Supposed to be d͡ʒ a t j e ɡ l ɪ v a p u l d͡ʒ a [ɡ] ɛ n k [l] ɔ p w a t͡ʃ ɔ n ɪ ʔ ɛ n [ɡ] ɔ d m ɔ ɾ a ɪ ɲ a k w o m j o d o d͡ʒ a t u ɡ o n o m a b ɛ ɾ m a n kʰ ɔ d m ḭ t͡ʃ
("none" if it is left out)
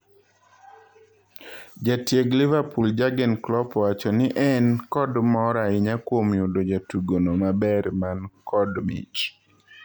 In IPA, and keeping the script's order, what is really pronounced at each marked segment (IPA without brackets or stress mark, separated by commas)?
ɡ, l, k